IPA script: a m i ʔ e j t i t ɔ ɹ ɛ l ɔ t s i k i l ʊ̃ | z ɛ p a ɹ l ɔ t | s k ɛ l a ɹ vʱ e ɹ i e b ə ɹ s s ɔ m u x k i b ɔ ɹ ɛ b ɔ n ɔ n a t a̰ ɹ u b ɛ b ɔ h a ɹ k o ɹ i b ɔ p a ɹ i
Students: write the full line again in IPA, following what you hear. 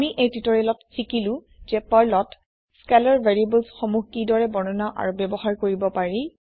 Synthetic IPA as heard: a m i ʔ e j t i t ɔ ɹ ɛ l ɔ t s i k i l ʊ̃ | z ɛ p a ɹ l ɔ t | s k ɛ l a ɹ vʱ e ɹ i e b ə l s x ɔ m u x k i d ɔ ɹ ɛ b ɔ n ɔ n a ʔ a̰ ɹ u b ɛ b ɔ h a ɹ k o ɹ i b ɔ p a ɹ i